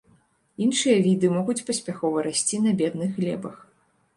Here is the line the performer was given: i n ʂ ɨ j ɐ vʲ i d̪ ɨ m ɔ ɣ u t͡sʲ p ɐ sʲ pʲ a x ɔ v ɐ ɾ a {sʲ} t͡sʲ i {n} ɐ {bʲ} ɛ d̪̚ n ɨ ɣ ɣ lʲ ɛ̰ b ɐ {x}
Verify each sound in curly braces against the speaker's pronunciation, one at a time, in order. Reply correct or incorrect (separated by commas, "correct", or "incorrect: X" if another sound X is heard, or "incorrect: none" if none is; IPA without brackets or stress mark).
correct, correct, correct, correct